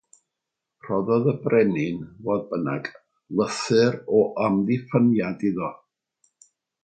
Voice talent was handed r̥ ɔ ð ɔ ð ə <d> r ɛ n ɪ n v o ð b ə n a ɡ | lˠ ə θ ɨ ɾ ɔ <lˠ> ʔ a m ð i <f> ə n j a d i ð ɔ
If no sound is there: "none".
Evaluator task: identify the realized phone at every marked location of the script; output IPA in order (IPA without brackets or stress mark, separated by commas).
b, none, f